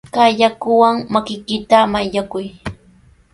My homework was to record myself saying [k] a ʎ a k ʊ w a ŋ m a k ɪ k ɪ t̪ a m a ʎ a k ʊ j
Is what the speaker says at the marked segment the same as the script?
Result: yes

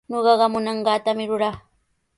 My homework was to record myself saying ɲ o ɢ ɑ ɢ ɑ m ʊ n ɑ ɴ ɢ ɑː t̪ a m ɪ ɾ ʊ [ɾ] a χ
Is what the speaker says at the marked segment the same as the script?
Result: yes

